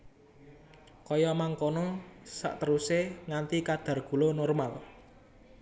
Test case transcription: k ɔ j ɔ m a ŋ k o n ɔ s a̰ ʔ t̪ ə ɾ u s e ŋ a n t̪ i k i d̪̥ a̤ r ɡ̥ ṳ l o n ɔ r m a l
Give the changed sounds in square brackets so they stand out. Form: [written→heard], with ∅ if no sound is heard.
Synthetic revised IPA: k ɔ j ɔ m a ŋ k o n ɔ s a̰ ʔ t̪ ə ɾ u s e ŋ a n t̪ i k [i→a] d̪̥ a̤ r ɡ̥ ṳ l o n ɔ r m a l